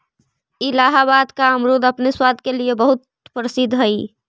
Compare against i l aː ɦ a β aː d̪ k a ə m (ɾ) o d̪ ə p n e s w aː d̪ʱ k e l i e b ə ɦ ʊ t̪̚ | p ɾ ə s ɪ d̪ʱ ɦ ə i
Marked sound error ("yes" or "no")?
no